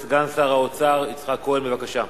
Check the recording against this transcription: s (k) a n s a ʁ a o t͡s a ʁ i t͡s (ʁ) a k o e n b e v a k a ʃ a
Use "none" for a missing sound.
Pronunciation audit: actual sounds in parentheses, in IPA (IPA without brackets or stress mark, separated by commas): ɡ, χ